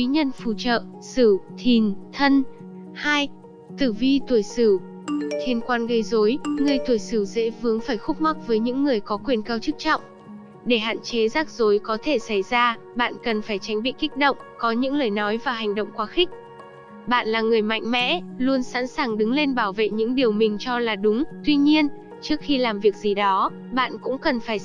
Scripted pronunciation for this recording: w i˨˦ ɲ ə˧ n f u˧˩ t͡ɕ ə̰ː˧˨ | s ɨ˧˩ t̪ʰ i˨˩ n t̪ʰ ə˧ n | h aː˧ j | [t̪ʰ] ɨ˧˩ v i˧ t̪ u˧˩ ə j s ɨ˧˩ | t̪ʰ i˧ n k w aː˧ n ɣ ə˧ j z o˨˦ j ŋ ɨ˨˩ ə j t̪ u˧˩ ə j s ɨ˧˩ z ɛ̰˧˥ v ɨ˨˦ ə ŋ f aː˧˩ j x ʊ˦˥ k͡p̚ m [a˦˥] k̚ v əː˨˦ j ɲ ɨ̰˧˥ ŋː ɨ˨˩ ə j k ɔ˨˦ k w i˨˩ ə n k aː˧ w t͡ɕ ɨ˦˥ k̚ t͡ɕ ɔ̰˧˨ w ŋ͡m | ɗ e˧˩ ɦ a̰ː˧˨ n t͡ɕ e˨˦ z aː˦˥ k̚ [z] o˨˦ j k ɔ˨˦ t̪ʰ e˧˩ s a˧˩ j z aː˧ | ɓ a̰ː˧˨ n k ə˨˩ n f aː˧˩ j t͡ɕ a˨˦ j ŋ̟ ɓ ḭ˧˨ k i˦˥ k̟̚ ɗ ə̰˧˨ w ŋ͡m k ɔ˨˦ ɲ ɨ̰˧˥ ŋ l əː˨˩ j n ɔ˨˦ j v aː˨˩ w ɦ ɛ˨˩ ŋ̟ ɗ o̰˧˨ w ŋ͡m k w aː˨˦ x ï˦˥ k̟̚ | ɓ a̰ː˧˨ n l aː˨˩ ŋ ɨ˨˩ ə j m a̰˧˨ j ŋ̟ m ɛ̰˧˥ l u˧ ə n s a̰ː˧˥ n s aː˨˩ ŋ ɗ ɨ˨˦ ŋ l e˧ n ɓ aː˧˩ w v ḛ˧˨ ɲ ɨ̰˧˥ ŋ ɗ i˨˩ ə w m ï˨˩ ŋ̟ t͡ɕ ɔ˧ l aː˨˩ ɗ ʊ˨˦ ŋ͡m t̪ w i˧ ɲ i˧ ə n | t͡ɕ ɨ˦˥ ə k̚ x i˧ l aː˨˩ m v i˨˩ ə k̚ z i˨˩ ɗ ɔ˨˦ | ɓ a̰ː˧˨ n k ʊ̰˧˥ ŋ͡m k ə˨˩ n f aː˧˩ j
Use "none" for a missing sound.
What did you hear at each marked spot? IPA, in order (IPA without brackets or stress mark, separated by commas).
t̪, a˦˥, z